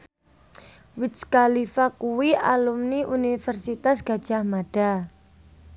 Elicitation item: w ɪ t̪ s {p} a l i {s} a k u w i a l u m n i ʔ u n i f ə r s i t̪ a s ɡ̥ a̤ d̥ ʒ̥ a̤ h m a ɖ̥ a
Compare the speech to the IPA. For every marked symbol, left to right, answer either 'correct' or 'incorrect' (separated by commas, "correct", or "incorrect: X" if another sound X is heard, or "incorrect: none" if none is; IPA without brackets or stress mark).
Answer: incorrect: k, incorrect: f